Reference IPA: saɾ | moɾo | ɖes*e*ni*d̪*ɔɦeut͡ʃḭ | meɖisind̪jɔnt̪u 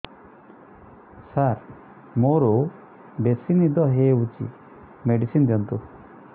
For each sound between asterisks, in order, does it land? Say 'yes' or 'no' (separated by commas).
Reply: no, yes